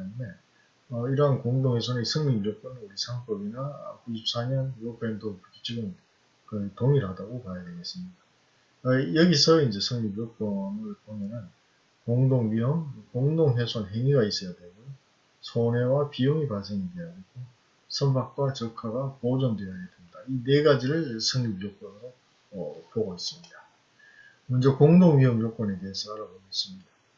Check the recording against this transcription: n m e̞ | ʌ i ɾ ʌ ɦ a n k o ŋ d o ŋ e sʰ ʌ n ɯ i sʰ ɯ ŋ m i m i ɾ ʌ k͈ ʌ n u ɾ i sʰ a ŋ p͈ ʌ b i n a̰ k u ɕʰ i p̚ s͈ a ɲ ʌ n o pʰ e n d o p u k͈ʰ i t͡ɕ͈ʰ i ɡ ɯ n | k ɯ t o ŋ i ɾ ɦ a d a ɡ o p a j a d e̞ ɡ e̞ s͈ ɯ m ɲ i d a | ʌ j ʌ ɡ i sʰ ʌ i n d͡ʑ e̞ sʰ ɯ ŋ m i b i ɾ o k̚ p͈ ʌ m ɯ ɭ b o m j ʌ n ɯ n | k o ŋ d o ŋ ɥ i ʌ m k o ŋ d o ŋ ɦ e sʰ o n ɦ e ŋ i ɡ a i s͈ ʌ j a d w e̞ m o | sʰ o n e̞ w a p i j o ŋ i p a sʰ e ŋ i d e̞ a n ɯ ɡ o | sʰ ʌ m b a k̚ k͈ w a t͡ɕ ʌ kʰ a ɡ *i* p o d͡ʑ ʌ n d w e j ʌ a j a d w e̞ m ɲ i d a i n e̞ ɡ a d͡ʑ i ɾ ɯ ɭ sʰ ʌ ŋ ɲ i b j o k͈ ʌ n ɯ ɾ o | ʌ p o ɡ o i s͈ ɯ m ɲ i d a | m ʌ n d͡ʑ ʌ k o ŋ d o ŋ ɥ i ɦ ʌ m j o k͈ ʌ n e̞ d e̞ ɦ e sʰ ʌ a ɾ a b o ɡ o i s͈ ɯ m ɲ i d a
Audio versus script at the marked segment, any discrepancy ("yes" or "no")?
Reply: yes